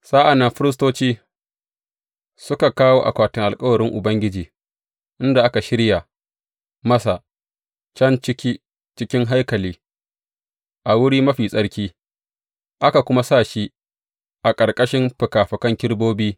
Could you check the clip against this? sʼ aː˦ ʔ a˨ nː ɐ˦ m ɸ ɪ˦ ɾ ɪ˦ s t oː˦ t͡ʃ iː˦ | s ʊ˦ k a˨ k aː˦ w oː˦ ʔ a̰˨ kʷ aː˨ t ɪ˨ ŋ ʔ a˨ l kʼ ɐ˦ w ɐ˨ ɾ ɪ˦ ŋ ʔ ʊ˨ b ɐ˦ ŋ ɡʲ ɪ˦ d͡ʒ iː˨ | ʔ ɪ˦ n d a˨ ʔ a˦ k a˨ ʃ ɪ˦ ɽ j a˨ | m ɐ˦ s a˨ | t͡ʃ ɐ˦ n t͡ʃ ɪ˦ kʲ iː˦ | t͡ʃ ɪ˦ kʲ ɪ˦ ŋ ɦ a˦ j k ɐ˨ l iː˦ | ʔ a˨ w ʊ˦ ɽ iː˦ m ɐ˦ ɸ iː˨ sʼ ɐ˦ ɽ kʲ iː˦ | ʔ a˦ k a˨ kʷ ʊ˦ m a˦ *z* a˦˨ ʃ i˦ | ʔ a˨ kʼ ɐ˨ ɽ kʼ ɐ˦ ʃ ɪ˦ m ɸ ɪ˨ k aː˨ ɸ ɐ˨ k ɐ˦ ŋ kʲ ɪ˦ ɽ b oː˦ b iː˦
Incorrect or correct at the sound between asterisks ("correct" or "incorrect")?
incorrect